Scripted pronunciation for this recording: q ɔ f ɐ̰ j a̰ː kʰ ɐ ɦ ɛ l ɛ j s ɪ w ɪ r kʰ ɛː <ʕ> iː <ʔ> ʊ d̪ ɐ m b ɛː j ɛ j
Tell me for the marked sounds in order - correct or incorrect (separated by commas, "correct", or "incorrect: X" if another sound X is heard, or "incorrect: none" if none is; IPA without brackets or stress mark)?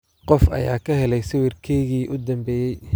incorrect: ɣ, correct